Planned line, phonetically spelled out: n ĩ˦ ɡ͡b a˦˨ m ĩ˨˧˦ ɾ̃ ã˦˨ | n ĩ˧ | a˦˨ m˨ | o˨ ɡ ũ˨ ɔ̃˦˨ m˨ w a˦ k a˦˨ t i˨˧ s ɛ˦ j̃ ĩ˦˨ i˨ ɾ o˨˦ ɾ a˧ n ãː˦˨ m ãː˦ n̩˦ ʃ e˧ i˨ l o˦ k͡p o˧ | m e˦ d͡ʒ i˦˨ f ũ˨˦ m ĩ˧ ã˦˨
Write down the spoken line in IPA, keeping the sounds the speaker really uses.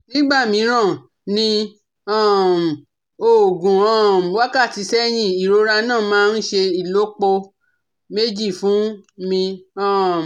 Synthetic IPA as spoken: n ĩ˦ ɡ͡b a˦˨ m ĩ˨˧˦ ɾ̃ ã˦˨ | n ĩ˧ | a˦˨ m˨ | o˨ ɡ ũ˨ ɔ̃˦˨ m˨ w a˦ k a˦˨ t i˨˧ s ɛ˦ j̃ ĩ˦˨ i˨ ɾ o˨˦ ɾ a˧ n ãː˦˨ m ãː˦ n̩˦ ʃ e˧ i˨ l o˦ k͡p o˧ | m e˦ d͡ʒ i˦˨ f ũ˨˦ m ĩ˧ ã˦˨